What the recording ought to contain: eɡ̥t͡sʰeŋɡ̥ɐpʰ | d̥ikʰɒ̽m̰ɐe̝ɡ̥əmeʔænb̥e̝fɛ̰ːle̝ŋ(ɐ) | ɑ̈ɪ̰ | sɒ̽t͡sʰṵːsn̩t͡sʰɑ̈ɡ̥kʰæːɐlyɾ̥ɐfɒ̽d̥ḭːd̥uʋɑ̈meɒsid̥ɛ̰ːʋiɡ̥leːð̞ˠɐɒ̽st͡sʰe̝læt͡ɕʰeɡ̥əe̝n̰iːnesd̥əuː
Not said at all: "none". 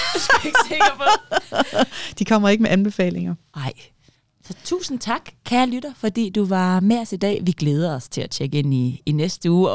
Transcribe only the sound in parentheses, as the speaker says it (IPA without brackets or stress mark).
ɐ